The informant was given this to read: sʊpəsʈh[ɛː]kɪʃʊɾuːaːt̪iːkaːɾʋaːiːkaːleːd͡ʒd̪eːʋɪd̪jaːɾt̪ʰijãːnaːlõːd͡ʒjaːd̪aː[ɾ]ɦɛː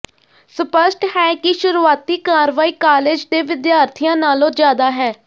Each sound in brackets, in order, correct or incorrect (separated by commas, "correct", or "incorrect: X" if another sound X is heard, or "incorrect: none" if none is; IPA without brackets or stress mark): correct, incorrect: none